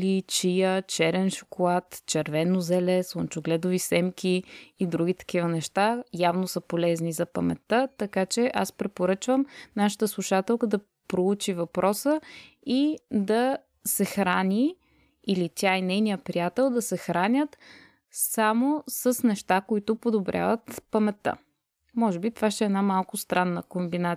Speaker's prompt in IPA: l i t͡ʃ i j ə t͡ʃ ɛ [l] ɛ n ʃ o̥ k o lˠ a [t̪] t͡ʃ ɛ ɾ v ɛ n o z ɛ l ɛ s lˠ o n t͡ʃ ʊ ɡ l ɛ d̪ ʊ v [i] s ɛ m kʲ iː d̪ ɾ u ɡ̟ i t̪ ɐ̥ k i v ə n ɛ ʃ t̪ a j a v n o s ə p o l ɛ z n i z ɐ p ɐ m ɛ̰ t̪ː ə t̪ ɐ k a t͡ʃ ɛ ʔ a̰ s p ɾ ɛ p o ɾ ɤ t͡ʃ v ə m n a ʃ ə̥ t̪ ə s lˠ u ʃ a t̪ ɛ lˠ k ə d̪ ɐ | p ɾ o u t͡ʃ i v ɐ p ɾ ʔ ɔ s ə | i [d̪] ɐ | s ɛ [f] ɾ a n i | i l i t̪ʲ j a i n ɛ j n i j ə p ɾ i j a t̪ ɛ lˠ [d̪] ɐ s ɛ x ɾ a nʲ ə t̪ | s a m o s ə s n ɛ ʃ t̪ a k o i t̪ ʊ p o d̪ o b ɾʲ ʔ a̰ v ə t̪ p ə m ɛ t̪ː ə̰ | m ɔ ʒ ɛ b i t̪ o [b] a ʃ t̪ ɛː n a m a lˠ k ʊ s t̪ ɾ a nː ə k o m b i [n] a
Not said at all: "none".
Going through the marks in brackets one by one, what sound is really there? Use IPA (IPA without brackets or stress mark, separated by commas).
ɾ, t̪, i, d̪, x, d̪, v, n